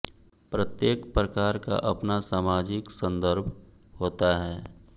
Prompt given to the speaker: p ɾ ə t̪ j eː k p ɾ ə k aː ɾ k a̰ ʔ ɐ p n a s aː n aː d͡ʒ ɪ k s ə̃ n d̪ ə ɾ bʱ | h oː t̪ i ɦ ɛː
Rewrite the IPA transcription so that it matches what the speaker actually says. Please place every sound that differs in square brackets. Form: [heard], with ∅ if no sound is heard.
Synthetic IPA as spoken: p ɾ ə t̪ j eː k p ɾ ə k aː ɾ k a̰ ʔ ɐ p n a s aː [m] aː d͡ʒ ɪ k s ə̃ n d̪ ə ɾ bʱ | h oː t̪ [a] ɦ ɛː